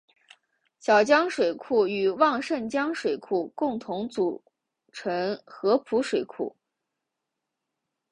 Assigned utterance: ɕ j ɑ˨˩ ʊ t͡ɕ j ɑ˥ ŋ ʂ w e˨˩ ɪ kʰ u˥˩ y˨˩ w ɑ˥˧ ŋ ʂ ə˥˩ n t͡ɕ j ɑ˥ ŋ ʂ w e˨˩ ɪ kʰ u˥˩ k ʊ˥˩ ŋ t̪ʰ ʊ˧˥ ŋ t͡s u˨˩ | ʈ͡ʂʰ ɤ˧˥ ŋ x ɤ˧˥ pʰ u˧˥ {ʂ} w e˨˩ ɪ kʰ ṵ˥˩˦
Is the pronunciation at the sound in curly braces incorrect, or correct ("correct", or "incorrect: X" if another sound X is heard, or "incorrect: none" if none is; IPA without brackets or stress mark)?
correct